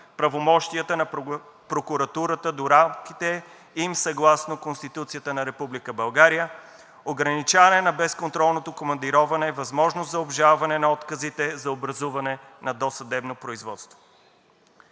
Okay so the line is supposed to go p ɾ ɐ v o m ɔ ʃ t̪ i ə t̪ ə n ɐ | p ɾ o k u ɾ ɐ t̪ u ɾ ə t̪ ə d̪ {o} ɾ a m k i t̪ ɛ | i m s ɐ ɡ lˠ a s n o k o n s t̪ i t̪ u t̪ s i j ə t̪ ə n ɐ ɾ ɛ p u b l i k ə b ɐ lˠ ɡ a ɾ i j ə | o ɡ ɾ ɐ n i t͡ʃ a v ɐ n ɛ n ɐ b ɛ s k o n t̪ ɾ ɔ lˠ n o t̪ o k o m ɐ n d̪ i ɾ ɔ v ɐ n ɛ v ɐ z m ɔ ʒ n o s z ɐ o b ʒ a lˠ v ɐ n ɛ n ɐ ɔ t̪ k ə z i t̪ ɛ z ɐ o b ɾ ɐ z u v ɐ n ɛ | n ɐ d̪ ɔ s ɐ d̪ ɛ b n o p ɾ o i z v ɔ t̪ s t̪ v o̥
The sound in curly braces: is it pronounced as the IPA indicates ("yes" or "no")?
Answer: yes